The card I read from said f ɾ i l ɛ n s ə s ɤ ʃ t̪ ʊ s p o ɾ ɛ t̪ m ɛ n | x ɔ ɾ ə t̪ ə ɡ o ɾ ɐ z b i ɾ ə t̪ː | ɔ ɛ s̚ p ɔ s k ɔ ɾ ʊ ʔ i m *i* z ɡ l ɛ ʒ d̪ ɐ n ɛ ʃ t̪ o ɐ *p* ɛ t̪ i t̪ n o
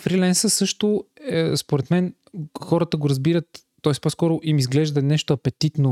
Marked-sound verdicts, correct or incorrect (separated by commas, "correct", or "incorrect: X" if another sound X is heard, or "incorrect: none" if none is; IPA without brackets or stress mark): correct, correct